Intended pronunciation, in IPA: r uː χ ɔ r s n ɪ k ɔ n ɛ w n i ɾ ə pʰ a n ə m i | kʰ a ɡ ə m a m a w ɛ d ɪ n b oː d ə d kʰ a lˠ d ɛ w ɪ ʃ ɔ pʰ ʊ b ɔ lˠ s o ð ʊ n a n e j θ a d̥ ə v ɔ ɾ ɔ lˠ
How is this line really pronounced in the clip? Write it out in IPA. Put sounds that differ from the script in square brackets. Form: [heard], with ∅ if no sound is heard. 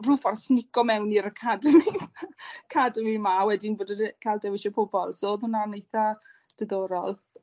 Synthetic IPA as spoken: r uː [f] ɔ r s n ɪ k ɔ [m] ɛ w n i ɾ ə [kʰ] a [d] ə m i | kʰ a [d] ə m [i] m a w ɛ d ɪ n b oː d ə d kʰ a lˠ d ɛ w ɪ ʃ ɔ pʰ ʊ b ɔ lˠ s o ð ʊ n a n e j θ a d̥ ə [ð] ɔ ɾ ɔ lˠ